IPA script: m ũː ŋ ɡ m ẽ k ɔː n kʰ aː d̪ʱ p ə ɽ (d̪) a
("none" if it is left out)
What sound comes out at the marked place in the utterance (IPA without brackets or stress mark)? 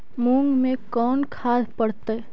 t̪